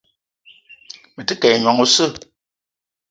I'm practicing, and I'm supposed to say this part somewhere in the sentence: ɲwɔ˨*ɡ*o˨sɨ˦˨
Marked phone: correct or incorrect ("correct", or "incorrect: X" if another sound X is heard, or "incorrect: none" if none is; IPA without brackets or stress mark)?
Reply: incorrect: ŋ